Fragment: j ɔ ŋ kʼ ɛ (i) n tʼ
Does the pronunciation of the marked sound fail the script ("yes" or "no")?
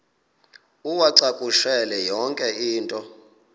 yes